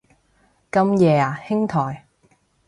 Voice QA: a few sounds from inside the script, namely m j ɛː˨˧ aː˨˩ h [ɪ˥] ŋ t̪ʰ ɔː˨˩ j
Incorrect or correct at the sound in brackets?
correct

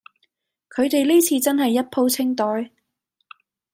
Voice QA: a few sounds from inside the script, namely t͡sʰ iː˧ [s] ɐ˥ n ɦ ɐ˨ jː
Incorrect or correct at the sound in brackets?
incorrect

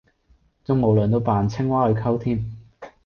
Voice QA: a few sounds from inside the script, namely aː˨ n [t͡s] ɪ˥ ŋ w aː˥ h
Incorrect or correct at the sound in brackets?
incorrect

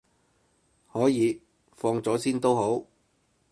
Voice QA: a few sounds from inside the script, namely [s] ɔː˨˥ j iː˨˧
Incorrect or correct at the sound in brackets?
incorrect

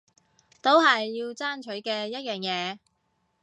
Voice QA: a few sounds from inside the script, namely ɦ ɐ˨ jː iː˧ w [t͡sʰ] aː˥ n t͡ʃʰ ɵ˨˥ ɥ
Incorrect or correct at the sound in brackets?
incorrect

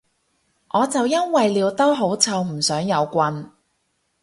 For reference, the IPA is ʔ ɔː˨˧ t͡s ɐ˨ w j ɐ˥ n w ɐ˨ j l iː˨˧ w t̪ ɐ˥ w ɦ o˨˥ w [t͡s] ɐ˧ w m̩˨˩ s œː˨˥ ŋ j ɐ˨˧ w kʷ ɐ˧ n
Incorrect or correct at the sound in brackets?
incorrect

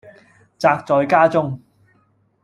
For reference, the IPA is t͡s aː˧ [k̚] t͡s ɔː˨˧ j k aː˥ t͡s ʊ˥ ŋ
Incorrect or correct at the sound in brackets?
correct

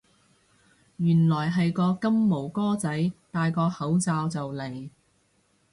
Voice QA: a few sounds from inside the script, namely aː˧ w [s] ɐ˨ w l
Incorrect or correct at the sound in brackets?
incorrect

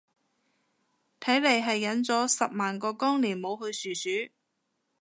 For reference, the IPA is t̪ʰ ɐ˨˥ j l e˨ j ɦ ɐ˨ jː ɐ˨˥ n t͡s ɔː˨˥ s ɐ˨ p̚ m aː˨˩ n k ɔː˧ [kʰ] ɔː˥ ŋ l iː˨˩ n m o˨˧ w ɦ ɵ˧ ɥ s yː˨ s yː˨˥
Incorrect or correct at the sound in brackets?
incorrect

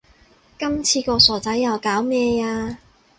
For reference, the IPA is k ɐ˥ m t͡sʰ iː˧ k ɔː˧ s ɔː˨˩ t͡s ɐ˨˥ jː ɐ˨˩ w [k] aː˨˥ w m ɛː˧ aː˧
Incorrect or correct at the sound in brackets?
correct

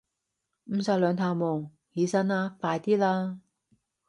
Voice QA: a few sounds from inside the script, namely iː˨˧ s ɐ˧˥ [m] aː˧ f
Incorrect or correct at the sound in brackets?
incorrect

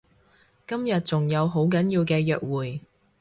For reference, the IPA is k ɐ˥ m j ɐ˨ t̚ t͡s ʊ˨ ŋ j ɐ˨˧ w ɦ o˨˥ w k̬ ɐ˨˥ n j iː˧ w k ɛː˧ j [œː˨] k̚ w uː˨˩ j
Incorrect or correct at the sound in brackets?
correct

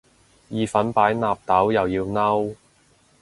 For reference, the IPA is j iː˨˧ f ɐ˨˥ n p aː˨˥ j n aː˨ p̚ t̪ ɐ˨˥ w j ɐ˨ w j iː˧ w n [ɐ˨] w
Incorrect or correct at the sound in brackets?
incorrect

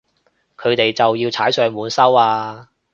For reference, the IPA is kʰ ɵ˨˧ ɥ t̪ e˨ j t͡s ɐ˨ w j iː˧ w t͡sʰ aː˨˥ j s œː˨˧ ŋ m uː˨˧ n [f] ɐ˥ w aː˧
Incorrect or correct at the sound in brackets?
incorrect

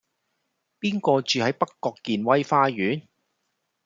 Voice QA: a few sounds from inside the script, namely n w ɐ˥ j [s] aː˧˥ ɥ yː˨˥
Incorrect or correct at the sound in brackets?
incorrect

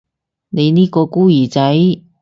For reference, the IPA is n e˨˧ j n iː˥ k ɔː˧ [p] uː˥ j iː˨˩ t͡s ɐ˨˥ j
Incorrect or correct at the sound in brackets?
incorrect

